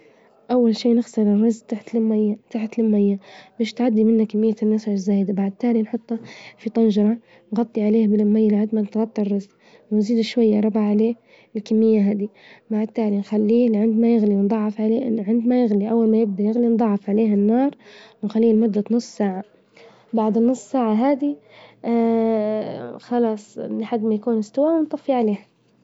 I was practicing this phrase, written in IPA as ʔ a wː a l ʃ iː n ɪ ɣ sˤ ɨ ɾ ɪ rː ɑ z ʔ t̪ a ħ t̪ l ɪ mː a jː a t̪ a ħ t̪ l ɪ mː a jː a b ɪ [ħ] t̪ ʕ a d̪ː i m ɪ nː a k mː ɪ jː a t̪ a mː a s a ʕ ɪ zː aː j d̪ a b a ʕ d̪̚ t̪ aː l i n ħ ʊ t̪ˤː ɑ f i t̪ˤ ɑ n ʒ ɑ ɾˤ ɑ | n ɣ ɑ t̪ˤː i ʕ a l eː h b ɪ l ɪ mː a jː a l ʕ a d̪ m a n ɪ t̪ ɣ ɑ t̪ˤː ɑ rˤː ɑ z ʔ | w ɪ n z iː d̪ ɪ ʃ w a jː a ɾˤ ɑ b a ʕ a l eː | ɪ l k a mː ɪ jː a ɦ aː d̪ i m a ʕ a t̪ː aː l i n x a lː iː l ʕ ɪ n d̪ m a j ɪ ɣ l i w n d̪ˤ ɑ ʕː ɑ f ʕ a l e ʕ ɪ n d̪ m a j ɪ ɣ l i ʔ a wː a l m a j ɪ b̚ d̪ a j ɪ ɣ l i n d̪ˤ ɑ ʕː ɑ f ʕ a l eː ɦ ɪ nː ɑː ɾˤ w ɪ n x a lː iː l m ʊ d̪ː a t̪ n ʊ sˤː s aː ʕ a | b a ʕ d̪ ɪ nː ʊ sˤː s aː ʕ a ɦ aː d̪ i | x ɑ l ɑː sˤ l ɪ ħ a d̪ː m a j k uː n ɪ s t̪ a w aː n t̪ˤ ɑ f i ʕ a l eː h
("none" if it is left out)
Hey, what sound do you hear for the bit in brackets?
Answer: ʃ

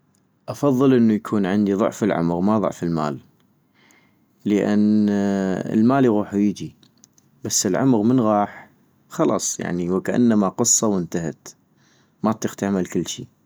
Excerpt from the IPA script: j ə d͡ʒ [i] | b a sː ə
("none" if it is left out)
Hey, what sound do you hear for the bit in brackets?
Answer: i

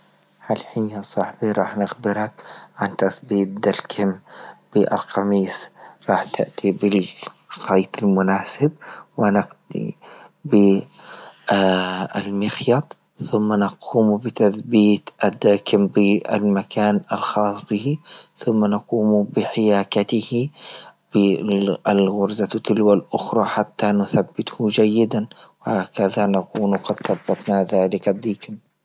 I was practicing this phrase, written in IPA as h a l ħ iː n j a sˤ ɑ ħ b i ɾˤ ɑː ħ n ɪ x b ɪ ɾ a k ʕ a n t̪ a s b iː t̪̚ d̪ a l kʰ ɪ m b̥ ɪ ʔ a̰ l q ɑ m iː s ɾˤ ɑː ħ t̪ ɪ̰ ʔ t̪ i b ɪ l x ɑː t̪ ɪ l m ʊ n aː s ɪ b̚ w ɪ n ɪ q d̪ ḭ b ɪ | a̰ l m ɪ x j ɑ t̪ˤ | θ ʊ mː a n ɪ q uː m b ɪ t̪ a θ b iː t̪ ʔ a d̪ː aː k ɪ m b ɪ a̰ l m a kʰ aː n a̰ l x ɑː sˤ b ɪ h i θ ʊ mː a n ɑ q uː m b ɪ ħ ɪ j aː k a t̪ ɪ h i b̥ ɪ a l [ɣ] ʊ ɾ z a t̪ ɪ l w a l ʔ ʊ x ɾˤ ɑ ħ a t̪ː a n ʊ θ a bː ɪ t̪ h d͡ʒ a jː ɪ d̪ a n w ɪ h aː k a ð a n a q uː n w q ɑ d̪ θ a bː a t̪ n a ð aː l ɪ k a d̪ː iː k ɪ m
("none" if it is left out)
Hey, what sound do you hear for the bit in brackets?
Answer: ɣ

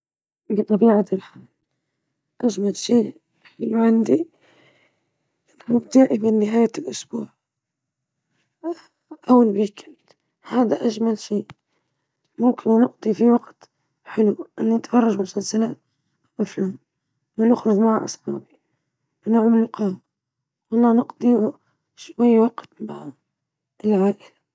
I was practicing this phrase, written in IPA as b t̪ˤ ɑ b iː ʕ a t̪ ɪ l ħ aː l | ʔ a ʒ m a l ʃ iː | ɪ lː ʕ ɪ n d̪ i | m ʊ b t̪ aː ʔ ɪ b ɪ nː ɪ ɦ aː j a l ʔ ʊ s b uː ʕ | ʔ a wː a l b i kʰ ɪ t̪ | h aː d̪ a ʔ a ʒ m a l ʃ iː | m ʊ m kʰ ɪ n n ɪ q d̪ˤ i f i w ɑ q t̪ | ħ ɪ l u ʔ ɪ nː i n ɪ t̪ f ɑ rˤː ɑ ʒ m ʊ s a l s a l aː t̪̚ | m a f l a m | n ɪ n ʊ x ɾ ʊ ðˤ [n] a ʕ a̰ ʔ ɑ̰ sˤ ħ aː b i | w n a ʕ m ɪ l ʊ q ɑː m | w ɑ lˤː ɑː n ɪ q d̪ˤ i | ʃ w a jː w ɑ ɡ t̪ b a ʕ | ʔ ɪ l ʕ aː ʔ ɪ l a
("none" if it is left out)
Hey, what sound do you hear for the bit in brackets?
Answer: m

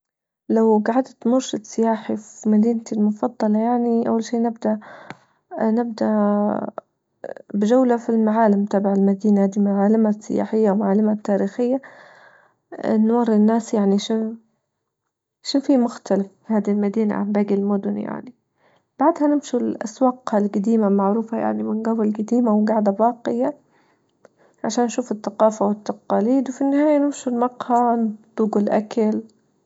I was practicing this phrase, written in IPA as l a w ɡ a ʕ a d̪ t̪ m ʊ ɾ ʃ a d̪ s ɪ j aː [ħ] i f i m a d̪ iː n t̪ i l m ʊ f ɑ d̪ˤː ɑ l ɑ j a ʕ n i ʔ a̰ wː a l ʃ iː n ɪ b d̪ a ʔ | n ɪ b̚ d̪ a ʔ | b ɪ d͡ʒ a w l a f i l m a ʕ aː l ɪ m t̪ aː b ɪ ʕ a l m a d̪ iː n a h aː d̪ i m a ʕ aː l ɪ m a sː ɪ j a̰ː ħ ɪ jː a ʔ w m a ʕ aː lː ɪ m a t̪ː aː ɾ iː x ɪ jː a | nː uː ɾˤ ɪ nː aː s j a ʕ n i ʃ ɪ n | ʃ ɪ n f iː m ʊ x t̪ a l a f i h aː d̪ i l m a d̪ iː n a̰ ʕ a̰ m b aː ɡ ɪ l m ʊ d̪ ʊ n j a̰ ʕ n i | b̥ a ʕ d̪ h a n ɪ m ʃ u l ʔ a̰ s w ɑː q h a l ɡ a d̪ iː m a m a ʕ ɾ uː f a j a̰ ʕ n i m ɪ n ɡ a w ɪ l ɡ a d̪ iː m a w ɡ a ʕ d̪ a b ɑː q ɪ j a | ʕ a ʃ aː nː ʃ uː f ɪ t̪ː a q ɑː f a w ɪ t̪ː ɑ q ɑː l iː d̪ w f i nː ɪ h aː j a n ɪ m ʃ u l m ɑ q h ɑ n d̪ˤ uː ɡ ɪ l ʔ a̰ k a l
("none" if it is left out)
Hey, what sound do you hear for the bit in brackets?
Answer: ħ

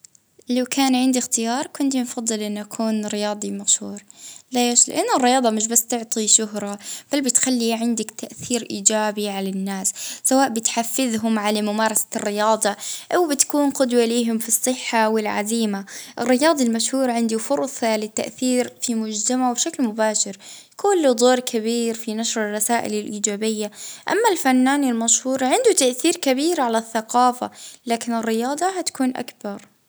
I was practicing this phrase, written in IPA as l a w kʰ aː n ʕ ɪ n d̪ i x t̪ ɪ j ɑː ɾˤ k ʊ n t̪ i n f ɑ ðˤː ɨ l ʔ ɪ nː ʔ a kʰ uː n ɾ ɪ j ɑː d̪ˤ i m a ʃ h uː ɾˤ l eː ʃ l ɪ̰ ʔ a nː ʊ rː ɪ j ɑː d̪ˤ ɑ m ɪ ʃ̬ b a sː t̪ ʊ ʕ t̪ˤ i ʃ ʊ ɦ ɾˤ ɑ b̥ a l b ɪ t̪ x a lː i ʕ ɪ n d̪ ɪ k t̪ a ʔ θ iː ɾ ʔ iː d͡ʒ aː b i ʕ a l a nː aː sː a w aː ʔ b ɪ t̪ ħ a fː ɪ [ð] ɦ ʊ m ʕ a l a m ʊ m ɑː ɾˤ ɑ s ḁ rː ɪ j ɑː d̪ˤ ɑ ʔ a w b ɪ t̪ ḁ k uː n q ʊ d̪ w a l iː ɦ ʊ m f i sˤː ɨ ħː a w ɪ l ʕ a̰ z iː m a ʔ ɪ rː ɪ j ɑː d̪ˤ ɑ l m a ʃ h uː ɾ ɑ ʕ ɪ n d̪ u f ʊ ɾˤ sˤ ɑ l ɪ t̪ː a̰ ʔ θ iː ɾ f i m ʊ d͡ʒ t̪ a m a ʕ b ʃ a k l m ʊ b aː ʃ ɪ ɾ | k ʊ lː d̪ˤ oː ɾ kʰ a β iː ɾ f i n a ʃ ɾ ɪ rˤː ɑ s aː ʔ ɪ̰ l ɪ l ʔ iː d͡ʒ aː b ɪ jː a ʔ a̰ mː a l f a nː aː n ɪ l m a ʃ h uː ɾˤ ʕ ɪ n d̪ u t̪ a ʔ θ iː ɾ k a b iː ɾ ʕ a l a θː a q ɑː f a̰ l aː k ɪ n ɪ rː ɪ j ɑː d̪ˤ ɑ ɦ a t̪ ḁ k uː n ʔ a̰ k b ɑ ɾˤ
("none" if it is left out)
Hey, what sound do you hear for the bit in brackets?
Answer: ð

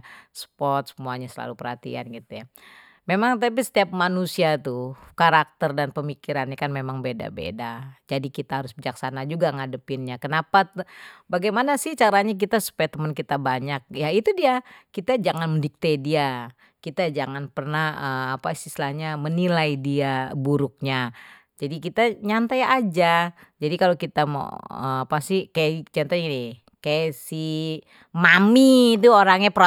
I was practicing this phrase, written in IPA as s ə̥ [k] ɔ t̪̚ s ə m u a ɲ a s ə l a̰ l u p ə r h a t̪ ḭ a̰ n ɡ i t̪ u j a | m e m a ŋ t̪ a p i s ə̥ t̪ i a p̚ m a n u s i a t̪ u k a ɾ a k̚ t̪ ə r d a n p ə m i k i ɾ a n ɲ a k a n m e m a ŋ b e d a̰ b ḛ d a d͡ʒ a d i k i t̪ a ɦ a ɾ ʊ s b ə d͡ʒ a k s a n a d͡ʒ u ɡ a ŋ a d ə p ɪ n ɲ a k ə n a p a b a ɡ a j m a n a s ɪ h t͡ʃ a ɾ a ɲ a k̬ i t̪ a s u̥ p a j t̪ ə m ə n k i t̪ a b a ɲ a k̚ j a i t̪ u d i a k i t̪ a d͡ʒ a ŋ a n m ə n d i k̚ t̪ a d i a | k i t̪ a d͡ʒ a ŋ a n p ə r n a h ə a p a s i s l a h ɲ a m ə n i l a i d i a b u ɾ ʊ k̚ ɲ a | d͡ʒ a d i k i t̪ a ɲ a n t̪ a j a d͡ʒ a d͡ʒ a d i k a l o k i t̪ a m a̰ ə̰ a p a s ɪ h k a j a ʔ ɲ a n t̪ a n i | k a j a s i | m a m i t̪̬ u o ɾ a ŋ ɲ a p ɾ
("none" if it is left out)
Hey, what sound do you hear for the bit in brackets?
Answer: p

